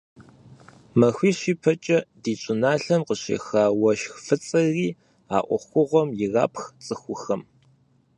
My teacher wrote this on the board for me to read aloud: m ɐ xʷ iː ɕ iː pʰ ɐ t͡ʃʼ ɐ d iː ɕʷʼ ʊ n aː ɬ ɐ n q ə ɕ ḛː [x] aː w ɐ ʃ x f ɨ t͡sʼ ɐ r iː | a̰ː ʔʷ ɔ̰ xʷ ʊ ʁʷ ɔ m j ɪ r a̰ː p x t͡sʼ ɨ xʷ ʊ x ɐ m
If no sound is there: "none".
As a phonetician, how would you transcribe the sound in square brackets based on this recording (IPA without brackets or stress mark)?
x